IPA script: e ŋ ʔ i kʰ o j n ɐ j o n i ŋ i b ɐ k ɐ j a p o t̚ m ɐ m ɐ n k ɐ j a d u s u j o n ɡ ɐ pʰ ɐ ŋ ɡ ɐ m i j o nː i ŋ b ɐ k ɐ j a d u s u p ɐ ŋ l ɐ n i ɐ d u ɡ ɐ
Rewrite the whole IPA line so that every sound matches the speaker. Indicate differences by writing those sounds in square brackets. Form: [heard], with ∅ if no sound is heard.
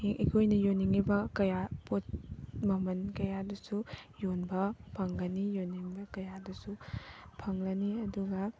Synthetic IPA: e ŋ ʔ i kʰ o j n ɐ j o n i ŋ i b ɐ k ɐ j a p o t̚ m ɐ m ɐ n k ɐ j a d u s u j o n [b] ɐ pʰ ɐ ŋ ɡ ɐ [n] i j o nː i ŋ b ɐ k ɐ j a d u s u [pʰ] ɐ ŋ l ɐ n i ɐ d u ɡ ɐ